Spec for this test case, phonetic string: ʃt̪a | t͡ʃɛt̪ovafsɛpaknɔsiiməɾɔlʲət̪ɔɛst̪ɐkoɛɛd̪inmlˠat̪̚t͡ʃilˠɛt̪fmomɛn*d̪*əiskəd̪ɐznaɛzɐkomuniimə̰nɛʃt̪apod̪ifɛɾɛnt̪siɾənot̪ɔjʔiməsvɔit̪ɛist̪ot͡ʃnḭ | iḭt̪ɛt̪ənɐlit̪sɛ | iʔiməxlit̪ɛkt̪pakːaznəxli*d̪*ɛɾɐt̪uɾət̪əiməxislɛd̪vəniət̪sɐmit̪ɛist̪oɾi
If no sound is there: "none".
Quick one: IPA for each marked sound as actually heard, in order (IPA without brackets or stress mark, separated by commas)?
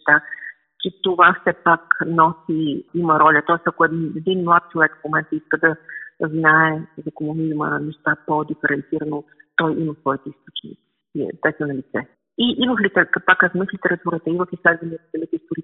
t̪, t̪